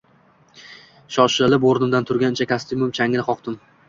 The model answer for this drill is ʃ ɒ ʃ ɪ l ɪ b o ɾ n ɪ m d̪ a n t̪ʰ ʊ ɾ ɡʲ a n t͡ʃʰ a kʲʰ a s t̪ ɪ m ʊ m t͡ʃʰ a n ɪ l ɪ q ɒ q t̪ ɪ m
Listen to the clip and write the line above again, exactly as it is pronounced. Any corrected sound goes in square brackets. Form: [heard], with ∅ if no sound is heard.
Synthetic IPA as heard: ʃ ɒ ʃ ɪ l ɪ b o ɾ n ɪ m d̪ a n t̪ʰ ʊ ɾ ɡʲ a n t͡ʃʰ a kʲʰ a s t̪ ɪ m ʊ m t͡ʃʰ a [ŋ] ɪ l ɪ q ɒ q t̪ ɪ m